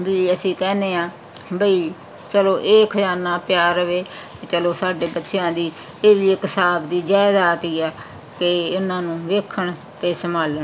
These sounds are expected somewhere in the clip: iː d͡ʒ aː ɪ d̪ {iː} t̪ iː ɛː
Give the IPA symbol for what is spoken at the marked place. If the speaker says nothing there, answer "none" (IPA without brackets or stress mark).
aː